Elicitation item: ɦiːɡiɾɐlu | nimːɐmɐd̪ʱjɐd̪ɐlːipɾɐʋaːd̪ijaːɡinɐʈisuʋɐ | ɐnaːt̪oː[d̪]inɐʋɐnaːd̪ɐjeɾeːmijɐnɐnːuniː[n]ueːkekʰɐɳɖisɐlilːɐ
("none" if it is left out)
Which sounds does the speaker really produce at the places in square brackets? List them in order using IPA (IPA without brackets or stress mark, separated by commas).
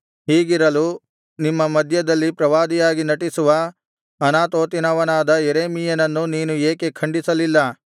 t̪, n